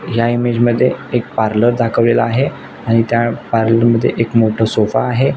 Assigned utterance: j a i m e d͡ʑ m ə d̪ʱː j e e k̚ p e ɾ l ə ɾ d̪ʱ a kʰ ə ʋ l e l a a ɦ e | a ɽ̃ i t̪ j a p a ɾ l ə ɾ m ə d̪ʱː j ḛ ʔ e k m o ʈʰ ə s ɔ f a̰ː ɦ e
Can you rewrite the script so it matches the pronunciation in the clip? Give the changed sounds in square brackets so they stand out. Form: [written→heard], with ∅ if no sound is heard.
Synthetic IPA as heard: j a i m e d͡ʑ m ə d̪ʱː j e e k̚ p [e→a] ɾ l ə ɾ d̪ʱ a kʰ ə ʋ l e l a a ɦ e | a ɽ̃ i t̪ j a p a ɾ l ə ɾ m ə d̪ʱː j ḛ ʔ e k m o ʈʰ ə s [ɔ→o] f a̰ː ɦ e